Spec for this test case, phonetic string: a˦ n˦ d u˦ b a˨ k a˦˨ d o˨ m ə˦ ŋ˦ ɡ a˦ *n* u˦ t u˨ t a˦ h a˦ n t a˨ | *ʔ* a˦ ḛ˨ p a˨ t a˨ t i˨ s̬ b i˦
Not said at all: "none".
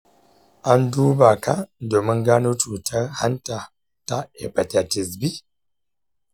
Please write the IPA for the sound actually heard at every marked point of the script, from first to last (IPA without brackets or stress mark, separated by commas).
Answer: n, t